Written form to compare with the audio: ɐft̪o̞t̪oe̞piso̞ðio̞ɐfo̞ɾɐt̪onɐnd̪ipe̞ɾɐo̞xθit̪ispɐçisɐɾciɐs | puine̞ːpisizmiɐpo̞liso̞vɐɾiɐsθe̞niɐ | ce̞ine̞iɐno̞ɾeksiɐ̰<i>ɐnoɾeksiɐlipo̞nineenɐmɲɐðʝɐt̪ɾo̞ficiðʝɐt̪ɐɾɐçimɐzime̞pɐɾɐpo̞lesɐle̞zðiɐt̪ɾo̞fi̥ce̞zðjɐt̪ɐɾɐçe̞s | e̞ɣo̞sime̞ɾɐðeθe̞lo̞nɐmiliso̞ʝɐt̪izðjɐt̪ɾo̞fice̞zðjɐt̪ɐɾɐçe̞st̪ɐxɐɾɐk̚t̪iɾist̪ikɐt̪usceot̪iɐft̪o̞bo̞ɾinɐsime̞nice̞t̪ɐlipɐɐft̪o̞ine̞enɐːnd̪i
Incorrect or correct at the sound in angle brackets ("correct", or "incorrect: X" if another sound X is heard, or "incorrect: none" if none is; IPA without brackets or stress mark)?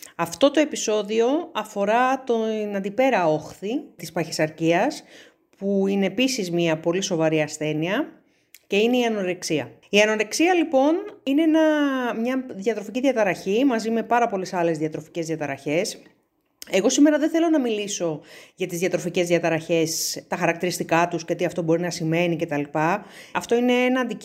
correct